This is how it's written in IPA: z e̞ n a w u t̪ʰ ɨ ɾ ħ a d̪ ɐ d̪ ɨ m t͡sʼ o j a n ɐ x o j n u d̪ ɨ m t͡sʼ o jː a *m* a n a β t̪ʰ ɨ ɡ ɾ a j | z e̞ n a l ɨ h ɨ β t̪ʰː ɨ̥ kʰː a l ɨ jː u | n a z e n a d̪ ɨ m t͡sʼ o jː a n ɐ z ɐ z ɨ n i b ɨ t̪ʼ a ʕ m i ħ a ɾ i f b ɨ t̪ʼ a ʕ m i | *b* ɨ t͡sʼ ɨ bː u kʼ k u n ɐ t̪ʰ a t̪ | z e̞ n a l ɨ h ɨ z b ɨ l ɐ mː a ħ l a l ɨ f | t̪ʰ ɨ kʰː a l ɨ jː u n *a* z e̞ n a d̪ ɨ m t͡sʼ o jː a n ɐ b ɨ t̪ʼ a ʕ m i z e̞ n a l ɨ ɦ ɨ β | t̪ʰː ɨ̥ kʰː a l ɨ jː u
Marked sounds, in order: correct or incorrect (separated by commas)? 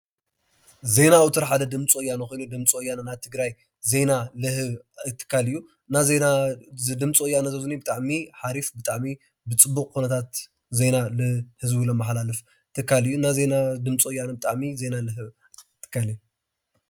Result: incorrect, correct, correct